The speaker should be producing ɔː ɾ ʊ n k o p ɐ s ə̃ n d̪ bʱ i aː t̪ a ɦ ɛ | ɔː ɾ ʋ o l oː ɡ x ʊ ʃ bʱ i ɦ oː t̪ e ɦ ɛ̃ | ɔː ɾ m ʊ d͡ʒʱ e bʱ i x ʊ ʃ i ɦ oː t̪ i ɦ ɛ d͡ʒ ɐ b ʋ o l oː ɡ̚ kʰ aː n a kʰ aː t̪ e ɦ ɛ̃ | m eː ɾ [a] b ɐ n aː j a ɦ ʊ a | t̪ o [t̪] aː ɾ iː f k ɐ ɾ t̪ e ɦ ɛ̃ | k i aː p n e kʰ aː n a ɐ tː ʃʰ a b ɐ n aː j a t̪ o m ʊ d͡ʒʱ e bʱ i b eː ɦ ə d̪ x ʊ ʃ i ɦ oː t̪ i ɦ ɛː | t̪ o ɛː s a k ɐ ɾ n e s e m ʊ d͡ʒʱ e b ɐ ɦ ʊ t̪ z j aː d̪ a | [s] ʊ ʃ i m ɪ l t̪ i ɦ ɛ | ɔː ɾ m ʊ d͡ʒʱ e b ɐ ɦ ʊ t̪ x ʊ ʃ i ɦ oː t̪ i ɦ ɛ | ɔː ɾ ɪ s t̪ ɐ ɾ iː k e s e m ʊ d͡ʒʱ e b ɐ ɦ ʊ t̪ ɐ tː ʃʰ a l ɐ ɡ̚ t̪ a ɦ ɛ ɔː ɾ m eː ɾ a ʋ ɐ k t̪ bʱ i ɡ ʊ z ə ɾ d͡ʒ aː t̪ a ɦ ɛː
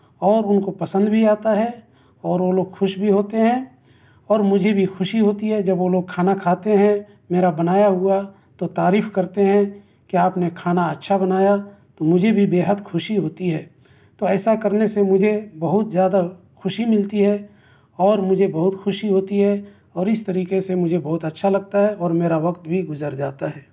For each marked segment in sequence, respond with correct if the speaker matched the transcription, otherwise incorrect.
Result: correct, correct, incorrect: x

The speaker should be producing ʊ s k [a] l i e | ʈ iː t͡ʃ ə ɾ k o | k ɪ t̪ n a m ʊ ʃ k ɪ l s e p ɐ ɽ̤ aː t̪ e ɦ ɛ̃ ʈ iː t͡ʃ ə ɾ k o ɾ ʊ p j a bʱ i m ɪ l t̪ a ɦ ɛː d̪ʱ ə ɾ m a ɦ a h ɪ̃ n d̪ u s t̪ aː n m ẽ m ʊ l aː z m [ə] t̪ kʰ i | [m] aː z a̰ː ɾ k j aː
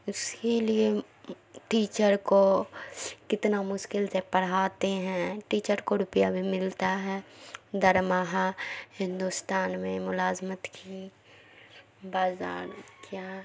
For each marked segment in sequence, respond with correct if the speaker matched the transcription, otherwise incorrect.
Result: incorrect: e, correct, incorrect: b

